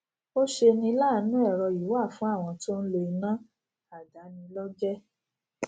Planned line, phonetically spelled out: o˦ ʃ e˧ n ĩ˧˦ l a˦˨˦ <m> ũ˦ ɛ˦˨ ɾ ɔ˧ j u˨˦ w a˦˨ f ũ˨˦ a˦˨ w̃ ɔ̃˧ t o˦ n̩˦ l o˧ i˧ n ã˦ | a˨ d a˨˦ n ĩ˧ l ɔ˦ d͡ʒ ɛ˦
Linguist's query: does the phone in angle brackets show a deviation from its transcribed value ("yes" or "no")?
yes